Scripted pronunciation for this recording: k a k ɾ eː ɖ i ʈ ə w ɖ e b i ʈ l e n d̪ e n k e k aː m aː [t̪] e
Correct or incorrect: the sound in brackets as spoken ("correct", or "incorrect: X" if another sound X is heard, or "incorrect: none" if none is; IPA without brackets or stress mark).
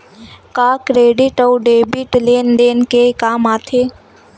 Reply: incorrect: t̪ʰ